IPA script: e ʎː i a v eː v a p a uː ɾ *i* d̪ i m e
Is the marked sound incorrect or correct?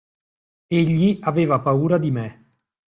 incorrect: a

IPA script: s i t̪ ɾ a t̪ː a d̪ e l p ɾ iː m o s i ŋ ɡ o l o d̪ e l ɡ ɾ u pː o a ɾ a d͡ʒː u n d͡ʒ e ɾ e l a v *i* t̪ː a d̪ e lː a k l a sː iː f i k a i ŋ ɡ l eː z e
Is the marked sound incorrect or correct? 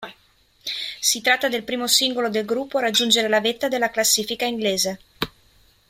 incorrect: e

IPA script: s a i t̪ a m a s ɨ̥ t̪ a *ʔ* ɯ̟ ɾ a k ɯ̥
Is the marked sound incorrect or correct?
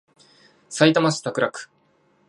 incorrect: k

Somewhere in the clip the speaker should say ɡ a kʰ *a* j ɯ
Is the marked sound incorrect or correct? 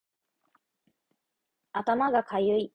correct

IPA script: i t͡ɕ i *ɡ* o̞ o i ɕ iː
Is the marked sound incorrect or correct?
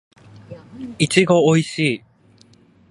correct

